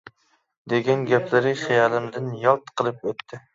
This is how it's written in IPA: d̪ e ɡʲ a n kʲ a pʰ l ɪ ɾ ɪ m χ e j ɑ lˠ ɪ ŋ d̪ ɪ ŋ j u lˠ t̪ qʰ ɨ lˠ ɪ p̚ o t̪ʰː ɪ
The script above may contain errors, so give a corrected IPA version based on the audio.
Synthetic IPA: d̪ e ɡʲ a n ɡʲ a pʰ l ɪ ɾ ɪ χ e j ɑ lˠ ɪ m d̪ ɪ n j ɒ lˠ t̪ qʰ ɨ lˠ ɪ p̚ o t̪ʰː ɪ